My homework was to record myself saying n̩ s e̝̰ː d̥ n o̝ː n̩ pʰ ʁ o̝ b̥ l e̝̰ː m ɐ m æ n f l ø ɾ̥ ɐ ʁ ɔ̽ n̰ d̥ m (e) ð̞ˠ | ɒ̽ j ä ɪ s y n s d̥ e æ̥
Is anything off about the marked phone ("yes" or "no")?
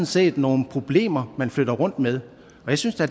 no